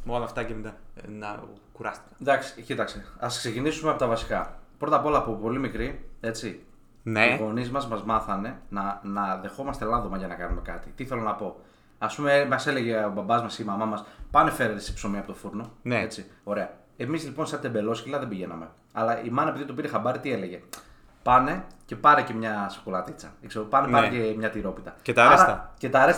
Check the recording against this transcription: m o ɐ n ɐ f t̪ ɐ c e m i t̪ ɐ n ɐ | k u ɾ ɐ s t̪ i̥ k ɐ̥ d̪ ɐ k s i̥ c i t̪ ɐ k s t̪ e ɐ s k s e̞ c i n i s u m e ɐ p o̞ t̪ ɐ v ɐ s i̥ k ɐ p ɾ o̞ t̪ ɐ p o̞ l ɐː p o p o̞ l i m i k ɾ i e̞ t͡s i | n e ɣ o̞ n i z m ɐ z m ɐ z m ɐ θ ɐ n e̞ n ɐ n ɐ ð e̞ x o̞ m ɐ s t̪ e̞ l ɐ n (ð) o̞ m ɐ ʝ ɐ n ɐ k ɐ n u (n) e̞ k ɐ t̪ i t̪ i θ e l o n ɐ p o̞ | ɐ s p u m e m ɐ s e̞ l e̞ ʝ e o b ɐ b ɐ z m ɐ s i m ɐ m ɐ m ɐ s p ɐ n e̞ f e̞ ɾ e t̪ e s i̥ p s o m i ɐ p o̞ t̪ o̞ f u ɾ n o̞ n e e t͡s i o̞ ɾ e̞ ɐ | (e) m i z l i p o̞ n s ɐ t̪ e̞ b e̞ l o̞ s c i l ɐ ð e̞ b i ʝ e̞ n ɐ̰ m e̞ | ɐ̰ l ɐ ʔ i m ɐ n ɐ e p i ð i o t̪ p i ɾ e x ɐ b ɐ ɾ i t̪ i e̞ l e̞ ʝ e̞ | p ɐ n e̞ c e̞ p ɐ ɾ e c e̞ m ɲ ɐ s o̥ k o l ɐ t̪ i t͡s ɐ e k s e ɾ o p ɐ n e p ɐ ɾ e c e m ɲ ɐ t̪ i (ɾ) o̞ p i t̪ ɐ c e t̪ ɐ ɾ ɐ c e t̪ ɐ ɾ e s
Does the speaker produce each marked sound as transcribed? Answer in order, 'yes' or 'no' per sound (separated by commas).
yes, no, yes, yes